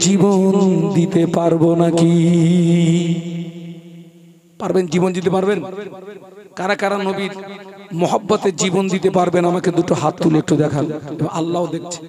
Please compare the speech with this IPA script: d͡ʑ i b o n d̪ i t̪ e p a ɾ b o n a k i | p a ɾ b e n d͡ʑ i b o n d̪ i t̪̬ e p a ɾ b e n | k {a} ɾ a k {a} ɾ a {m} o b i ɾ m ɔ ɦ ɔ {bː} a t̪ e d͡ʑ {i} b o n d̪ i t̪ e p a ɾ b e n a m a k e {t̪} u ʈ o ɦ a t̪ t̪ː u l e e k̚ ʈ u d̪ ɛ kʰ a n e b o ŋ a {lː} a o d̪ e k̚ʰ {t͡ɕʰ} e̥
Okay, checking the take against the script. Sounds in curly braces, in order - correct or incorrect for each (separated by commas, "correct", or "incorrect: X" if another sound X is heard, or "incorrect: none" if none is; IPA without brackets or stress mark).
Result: correct, correct, incorrect: n, correct, correct, incorrect: d̪, correct, correct